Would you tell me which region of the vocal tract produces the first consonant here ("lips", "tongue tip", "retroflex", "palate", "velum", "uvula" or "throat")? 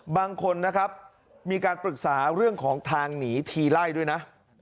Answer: lips